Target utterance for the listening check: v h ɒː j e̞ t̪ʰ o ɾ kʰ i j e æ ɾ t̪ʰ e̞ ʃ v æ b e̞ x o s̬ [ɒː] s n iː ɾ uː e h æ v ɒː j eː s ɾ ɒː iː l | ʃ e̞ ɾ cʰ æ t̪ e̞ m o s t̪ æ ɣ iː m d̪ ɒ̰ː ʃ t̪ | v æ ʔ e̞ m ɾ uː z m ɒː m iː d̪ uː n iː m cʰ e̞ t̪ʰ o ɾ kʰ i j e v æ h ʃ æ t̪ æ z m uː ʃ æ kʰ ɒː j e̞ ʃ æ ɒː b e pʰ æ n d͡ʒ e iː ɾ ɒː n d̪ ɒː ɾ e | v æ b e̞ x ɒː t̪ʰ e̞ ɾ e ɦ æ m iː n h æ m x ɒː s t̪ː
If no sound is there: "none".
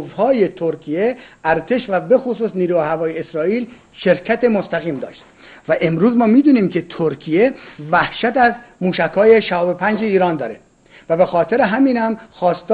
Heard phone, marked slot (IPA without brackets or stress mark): uː